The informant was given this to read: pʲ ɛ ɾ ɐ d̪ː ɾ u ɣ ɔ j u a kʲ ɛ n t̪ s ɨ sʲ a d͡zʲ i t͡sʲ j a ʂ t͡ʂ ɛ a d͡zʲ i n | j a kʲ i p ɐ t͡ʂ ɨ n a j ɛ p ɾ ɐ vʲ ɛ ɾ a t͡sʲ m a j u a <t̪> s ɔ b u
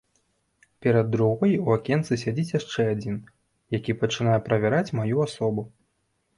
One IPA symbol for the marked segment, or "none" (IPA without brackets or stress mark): none